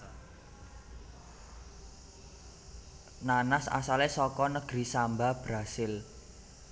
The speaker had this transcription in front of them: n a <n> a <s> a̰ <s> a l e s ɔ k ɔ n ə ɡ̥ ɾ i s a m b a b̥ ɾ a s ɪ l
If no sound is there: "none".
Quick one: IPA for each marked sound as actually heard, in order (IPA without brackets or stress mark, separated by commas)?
n, s, s